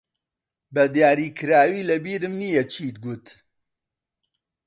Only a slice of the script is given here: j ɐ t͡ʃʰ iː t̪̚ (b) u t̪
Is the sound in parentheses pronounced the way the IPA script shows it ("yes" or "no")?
no